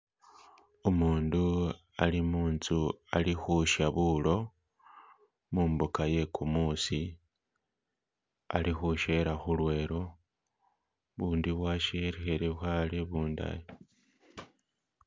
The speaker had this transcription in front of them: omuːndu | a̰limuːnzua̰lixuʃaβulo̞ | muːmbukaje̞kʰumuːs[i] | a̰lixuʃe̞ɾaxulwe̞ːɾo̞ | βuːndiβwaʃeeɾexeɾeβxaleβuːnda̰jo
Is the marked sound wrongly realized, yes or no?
no